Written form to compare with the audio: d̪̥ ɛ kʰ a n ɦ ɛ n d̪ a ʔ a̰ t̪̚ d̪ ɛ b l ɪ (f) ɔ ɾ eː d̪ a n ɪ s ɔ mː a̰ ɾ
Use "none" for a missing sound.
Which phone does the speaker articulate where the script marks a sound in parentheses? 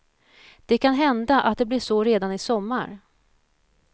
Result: ʂ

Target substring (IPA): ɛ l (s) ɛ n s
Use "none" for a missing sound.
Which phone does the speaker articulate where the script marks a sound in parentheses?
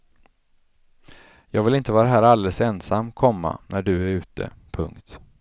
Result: s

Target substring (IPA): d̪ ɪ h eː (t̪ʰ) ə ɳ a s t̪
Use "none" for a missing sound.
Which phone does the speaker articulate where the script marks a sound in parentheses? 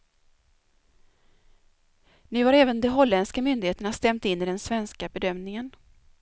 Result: t̪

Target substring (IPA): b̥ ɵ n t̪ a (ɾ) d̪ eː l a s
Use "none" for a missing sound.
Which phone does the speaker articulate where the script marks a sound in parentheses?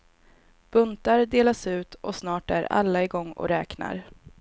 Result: ɾ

